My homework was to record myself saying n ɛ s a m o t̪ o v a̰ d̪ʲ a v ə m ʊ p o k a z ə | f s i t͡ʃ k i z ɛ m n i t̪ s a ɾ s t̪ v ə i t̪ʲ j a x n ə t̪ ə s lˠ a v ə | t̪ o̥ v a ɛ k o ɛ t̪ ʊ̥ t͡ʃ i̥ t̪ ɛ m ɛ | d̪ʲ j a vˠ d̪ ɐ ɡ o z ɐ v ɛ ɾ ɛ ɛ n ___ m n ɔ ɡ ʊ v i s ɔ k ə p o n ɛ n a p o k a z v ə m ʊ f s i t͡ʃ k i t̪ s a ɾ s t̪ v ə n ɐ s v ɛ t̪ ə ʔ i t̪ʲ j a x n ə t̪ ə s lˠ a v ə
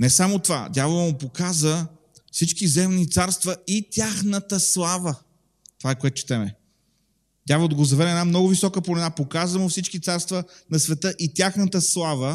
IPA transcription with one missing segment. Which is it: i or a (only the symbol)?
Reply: a